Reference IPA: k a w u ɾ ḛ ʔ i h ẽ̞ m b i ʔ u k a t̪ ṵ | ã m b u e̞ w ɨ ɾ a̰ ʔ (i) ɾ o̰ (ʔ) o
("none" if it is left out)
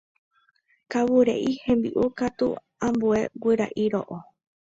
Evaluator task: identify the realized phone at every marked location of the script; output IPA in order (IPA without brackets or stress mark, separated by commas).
i, ʔ